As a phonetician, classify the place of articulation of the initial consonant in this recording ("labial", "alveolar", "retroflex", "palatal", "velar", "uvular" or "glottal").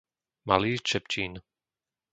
labial